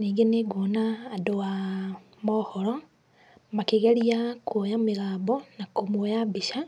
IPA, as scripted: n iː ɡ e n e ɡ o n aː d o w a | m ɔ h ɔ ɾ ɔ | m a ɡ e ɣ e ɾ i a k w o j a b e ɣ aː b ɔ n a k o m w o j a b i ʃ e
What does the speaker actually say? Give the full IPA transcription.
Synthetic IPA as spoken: n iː ɡ e n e ɡ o n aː d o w a | m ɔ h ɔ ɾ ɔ | m a k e ɣ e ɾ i a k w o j a m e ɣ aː b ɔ n a k o m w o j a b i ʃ a